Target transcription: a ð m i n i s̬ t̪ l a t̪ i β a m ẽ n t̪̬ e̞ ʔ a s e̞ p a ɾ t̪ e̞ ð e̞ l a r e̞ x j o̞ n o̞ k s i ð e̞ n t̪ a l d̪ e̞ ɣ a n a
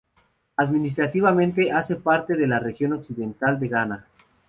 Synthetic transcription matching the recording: a ð m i n i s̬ t̪ ɾ a t̪ i β a m ẽ n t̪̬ e̞ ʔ a s e̞ p a ɾ t̪ e̞ ð e̞ l a r e̞ x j o̞ n o̞ k s i ð e̞ n t̪ a l d̪ e̞ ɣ a n a